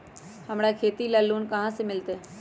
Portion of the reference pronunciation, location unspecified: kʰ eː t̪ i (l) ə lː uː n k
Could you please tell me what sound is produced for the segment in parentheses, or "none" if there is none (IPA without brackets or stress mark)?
l